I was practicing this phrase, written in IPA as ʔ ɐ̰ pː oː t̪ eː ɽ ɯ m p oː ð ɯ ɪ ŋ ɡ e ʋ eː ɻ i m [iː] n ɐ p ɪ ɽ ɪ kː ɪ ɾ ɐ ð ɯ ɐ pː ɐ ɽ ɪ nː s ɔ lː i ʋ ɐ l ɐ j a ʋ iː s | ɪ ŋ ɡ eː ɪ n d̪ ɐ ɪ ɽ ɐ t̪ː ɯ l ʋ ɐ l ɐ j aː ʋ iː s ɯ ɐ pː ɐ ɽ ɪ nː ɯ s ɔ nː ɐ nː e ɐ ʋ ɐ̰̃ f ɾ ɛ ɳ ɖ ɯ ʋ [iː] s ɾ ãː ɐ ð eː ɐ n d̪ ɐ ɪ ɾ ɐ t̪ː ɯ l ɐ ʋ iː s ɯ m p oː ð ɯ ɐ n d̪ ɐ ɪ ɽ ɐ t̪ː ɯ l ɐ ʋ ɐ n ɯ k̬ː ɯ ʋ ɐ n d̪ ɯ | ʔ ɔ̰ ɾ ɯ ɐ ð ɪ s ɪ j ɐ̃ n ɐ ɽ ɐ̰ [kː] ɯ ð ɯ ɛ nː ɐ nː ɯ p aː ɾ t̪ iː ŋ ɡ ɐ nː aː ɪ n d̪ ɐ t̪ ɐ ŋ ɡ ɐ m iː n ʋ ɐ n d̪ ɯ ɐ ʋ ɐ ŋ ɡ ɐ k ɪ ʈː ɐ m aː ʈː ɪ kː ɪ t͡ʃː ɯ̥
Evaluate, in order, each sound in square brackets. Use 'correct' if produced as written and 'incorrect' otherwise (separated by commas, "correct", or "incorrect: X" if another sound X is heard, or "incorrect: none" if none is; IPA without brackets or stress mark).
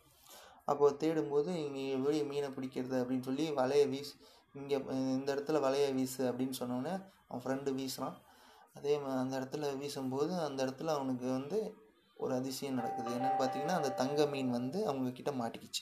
correct, correct, correct